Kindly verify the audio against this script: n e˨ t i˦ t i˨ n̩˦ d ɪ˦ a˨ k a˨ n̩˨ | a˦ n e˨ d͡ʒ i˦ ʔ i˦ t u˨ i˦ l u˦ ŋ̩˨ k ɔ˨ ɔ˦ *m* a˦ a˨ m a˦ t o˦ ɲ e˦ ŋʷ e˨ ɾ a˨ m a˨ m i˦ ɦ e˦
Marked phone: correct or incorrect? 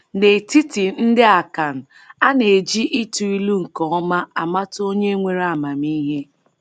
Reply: correct